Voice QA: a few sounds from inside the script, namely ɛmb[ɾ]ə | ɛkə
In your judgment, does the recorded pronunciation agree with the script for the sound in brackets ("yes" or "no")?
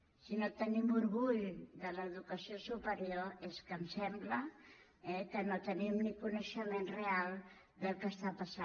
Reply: no